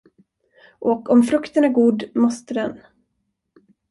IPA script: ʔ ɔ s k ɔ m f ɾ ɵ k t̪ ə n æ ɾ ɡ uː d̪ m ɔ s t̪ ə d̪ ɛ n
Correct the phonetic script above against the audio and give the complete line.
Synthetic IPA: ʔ ɔ k ɔ m f ɾ ɵ k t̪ ə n æ ɾ ɡ uː d̪ m ɔ s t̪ ə d̪ ɛ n